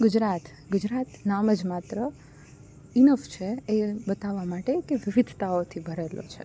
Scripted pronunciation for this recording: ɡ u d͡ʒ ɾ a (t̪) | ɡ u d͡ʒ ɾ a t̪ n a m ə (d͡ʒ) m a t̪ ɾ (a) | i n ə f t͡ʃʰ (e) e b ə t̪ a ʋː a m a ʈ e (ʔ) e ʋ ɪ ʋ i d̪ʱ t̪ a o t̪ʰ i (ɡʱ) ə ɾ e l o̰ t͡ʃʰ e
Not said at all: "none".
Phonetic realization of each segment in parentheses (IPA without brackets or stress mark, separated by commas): t̪, d͡ʒ, ə, e, k, bʱ